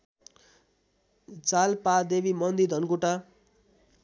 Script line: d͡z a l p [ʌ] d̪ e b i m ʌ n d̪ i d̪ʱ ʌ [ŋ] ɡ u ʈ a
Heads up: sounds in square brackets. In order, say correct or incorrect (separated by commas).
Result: incorrect, incorrect